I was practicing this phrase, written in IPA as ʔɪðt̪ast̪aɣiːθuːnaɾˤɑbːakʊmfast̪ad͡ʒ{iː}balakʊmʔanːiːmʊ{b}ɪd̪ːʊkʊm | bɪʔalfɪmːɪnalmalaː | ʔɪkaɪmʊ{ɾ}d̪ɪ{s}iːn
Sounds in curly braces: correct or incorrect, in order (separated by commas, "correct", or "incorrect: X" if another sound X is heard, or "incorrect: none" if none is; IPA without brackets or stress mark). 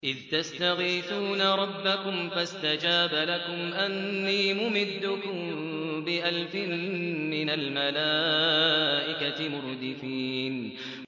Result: incorrect: aː, incorrect: m, correct, incorrect: f